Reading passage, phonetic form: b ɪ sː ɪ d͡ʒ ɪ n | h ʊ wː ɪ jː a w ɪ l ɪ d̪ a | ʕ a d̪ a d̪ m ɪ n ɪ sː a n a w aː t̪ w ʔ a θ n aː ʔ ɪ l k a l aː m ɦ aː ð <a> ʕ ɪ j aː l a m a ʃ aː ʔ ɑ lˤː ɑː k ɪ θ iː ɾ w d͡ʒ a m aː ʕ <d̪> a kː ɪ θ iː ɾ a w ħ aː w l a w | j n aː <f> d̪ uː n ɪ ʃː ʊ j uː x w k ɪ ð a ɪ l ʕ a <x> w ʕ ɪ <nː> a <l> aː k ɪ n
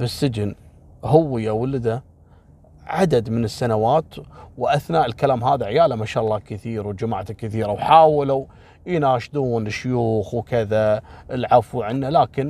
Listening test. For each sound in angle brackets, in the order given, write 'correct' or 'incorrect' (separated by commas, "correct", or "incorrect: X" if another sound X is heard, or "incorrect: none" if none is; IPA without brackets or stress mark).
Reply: correct, incorrect: t̪, incorrect: ʃ, incorrect: f, correct, correct